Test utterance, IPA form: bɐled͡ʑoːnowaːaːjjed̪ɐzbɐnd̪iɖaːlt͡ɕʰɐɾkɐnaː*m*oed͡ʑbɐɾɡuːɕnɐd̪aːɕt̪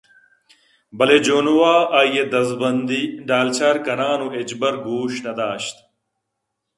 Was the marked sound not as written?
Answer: yes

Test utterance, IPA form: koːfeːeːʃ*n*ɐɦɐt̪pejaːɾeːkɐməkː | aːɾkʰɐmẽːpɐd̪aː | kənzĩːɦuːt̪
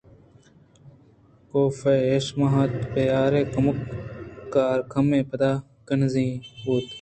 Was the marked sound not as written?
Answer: yes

